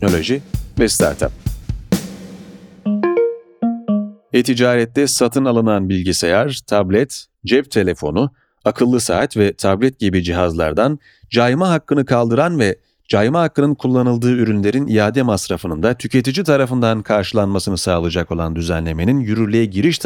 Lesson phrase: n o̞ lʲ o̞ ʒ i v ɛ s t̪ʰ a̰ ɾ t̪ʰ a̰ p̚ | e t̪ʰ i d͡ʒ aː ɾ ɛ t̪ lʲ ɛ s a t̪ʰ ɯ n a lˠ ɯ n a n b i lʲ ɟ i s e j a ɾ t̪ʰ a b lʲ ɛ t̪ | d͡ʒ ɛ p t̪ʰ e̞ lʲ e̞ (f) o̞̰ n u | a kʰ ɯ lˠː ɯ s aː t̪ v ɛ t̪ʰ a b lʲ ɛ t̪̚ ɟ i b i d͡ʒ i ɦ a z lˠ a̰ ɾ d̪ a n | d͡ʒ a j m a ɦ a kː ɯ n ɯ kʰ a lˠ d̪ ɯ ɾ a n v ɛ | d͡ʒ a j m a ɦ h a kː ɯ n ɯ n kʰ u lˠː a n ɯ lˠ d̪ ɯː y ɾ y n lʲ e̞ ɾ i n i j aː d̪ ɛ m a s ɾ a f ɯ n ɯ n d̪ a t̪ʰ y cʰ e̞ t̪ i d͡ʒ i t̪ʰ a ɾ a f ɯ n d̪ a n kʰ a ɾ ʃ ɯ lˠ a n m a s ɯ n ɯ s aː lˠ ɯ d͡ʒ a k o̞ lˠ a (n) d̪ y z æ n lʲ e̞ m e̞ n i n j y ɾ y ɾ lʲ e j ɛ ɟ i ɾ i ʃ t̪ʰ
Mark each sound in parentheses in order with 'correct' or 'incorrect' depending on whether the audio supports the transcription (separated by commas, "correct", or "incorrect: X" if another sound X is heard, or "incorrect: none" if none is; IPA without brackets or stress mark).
correct, correct